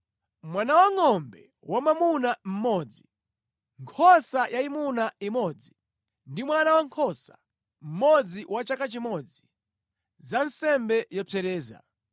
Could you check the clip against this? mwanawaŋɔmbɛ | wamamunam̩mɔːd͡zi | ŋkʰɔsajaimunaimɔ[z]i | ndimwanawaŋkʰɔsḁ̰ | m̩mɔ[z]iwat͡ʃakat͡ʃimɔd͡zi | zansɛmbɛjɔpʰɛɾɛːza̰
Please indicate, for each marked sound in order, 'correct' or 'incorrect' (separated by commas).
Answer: incorrect, incorrect